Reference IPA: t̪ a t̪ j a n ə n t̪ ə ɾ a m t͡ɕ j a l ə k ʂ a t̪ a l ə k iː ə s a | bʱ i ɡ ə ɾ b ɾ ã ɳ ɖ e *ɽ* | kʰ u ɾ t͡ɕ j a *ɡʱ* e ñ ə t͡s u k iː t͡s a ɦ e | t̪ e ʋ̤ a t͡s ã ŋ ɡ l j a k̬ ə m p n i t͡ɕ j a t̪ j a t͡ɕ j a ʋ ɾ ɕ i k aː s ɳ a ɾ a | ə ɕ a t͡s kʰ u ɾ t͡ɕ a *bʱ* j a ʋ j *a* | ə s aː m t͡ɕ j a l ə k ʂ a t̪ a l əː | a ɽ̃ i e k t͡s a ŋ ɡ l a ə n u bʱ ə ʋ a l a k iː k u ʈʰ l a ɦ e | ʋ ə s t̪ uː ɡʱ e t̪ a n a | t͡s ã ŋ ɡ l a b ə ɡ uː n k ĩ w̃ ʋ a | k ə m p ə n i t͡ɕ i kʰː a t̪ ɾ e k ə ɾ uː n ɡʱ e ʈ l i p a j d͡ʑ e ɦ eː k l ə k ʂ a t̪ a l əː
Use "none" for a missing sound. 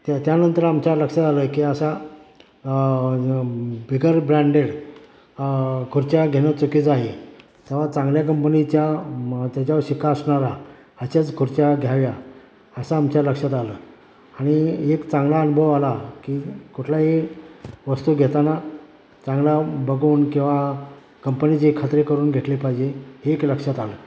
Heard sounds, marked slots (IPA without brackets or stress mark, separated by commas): ɽ, ɡʱ, ɡʱ, a